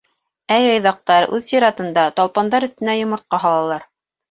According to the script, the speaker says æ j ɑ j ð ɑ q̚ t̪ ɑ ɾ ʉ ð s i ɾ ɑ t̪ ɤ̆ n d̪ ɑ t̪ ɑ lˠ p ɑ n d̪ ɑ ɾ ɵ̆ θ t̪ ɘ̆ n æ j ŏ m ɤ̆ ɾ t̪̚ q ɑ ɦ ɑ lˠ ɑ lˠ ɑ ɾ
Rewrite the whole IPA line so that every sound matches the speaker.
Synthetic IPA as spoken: æ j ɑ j ð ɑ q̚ t̪ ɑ ɾ ʉ ð s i ɾ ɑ t̪ ɤ̆ n d̪ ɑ t̪ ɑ lˠ p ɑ n d̪ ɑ ɾ ɵ̆ θ t̪ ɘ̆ n æ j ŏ m ɤ̆ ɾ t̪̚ q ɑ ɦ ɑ lˠ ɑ lˠ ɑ ɾ